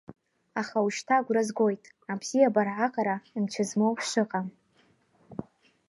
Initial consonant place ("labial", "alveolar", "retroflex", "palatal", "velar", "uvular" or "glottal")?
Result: uvular